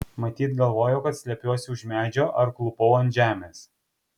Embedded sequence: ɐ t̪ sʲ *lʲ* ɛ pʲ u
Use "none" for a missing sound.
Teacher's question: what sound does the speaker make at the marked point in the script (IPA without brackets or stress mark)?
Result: lʲ